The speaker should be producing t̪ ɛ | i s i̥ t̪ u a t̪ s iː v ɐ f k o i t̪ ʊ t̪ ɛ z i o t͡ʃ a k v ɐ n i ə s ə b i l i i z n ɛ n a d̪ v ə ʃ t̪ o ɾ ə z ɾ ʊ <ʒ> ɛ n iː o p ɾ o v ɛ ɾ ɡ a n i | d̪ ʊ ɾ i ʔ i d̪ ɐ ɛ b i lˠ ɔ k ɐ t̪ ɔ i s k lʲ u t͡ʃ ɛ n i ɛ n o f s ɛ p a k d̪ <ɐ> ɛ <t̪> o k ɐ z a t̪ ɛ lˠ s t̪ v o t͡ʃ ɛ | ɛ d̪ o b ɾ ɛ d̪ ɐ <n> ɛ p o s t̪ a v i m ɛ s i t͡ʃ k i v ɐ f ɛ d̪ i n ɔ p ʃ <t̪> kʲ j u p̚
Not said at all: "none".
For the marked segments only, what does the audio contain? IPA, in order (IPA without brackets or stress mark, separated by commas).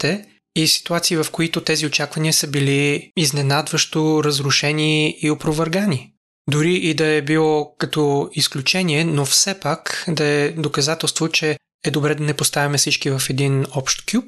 ʃ, ɐ, d̪, n, t̪